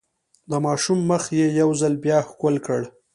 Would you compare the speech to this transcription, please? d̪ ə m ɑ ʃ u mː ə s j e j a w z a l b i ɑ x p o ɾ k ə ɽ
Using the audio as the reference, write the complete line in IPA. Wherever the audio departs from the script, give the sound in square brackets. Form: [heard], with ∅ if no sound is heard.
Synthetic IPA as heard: d̪ ə m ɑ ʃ u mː ə [x] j e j a w z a l b [j] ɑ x [k] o [l] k ə ɽ